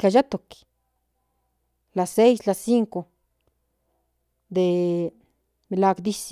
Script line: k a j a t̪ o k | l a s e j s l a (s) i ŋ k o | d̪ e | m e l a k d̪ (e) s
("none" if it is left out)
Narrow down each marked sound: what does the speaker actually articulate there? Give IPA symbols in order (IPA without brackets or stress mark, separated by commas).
s, i